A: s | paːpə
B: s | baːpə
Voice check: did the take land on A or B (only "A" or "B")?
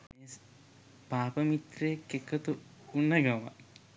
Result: A